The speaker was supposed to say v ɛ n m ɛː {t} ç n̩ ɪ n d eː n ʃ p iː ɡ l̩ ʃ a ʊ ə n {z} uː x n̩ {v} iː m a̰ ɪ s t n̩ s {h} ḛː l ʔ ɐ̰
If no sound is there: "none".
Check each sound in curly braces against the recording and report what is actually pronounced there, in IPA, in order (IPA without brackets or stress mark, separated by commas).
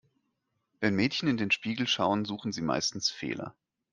t, z, z, f